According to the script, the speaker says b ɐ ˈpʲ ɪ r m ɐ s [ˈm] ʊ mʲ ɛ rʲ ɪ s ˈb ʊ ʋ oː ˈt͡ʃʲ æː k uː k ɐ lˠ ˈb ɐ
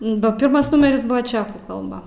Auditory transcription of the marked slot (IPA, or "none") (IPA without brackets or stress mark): n